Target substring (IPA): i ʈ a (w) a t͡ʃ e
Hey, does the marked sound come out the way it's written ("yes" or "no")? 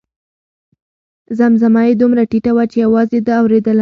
yes